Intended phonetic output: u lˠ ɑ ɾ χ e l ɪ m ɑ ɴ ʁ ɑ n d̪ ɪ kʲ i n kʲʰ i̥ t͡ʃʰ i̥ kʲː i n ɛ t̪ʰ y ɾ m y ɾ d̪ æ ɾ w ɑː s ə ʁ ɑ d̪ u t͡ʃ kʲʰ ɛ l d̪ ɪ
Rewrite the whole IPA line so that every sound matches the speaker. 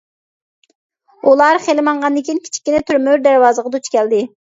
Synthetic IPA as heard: u lˠ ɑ ɾ χ e l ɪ m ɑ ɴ ʁ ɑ n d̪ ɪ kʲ i n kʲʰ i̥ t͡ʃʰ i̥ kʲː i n ɛ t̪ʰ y ɾ m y ɾ d̪ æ ɾ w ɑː z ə ʁ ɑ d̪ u t͡ʃ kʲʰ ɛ l d̪ ɪ